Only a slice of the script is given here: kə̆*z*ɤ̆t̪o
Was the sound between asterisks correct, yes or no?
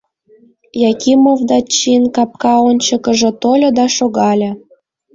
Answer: no